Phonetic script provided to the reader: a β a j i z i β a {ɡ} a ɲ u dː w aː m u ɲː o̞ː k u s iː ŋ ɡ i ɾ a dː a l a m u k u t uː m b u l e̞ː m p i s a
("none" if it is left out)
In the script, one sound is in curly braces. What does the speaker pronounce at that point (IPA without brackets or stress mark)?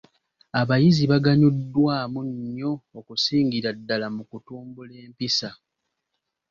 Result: ɡ